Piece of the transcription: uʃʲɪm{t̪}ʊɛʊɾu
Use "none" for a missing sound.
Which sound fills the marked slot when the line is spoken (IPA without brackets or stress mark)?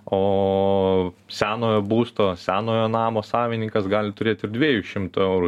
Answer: t̪